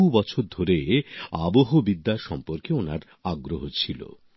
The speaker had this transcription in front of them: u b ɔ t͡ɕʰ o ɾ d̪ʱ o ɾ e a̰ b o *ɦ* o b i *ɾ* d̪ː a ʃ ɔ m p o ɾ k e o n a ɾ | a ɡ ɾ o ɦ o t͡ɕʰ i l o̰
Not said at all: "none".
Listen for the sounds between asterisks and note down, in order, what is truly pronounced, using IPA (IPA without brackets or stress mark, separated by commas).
ɦ, none